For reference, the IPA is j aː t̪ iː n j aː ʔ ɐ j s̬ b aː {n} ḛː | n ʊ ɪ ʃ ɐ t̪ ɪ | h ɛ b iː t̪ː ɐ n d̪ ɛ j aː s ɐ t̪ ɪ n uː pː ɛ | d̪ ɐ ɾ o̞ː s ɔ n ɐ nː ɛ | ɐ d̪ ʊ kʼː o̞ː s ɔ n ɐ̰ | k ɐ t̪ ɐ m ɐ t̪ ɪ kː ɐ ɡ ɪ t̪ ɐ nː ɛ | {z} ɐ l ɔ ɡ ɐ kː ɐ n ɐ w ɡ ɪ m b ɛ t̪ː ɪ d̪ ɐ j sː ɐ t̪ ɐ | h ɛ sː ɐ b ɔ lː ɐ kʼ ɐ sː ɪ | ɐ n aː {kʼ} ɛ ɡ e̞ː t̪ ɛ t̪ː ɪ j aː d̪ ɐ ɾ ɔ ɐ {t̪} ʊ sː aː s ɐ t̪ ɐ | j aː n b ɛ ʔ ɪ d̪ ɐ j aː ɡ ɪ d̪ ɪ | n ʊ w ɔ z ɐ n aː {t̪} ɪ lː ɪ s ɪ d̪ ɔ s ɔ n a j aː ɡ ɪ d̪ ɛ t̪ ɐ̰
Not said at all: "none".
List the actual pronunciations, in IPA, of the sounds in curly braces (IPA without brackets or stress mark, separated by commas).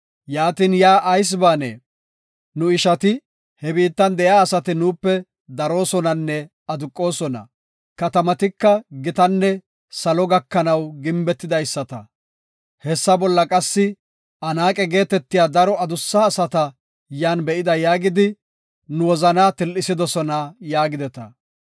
n, s, kʼ, d̪, t̪